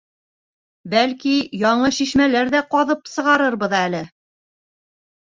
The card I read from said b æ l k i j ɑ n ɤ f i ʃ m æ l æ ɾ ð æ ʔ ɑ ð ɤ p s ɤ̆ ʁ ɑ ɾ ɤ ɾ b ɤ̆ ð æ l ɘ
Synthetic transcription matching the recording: b æ l k i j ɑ ɴ ɤ ʃ i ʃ m æ l æ ɾ ð æ q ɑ ð ɤ p s ɤ̆ ʁ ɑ ɾ ɤ ɾ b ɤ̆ ð æ l ɘ